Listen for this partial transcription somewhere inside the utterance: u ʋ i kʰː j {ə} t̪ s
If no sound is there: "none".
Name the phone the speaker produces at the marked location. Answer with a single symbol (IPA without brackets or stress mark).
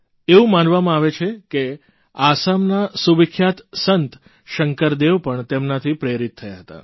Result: a